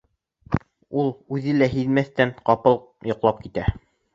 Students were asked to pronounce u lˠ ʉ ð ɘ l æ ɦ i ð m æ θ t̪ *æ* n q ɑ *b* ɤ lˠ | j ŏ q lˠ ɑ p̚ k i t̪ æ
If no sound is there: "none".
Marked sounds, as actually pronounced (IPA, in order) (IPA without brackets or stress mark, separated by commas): æ, p